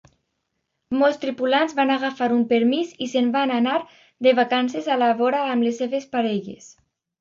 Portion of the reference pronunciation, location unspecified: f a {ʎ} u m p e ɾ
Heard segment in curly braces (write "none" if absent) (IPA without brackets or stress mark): ɾ